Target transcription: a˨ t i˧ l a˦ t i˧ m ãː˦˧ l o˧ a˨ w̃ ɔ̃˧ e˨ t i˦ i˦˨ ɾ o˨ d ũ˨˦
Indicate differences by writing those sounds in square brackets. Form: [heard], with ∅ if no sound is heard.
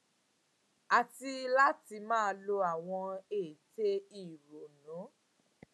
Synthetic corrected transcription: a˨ t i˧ l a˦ t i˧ m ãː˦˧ l o˧ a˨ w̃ ɔ̃˧ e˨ t [e˦] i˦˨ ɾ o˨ [n] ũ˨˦